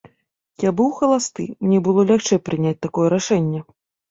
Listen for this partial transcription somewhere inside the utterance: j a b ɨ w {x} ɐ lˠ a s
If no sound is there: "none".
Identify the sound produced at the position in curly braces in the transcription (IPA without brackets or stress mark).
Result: x